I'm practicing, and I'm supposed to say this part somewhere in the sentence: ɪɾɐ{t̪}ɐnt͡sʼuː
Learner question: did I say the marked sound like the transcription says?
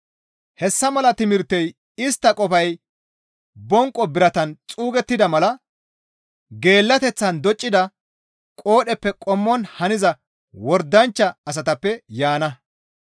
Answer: yes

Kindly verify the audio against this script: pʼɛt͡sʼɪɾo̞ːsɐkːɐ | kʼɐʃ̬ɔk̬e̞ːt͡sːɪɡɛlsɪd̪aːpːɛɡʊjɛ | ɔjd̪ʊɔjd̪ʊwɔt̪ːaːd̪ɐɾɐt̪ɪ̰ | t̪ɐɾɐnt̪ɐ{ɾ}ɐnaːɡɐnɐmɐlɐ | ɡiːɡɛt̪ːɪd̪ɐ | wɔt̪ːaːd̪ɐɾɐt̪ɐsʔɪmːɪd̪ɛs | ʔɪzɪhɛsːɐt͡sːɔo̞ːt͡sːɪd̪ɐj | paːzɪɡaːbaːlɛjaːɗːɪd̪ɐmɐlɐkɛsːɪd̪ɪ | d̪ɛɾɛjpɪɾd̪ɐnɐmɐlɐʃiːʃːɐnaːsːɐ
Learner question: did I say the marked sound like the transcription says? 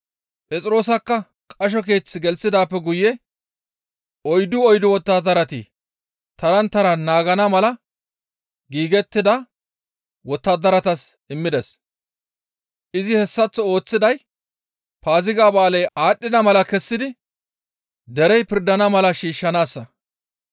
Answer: yes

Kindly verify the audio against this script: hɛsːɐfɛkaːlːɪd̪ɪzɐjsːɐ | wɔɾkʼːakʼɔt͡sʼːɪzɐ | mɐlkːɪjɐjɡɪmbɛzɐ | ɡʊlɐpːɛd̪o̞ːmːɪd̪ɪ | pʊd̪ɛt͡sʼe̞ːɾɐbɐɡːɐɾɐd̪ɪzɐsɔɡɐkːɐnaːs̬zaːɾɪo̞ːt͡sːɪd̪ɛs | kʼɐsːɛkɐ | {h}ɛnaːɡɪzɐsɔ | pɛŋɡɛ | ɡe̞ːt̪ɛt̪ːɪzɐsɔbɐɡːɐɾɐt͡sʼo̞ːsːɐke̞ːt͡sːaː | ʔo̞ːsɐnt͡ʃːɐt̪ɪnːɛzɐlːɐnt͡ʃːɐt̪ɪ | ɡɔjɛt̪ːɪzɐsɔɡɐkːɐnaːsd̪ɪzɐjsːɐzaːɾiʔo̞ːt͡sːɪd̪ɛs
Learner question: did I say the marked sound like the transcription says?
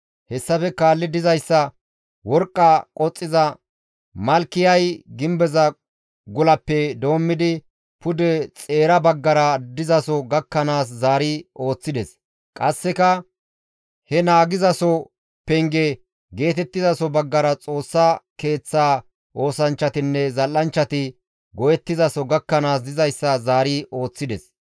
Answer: yes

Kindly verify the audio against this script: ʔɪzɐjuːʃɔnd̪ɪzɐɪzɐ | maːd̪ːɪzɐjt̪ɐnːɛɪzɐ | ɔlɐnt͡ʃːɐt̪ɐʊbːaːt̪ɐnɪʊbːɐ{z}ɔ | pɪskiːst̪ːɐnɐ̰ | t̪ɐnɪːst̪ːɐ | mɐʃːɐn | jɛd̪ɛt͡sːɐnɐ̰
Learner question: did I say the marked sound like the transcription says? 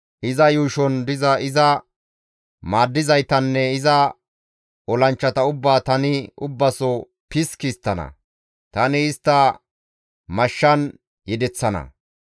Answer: no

